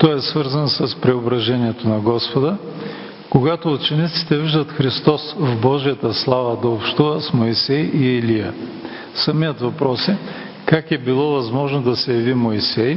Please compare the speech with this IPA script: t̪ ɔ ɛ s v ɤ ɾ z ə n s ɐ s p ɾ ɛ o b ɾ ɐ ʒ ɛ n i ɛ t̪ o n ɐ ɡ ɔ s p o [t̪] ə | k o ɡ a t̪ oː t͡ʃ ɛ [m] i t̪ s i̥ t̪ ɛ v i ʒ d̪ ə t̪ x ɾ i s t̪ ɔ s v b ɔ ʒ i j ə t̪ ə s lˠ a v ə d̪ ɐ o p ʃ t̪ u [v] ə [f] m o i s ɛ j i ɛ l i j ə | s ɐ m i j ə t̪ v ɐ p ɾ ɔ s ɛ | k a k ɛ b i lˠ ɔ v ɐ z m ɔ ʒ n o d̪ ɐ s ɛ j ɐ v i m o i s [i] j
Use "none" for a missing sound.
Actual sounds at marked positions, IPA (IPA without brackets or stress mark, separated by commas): d̪, n, v, s, ɛ